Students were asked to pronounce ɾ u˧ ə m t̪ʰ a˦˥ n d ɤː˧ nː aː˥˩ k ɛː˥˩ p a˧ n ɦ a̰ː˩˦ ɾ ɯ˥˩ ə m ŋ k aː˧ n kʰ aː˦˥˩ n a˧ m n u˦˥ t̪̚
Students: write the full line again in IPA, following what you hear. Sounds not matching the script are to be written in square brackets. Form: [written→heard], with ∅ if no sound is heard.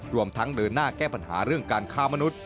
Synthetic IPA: ɾ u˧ ə m t̪ʰ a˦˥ [n→ŋ] d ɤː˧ nː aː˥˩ k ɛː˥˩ p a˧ n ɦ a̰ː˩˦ ɾ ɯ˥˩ ə [m→∅] ŋ k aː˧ n kʰ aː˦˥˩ [n→m] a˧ [m→∅] n u˦˥ t̪̚